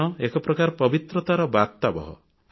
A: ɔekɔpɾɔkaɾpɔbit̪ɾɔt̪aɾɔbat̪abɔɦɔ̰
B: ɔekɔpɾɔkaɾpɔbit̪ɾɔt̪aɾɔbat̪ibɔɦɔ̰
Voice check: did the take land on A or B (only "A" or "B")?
A